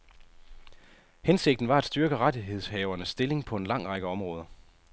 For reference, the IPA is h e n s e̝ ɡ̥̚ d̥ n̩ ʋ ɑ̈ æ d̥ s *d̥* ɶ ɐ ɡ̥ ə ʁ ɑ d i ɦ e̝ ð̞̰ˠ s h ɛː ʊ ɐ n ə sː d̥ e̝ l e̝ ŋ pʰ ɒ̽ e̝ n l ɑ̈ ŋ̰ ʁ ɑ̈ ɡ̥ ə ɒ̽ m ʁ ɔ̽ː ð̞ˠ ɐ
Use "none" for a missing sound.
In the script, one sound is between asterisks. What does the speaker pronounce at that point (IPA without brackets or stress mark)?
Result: d̥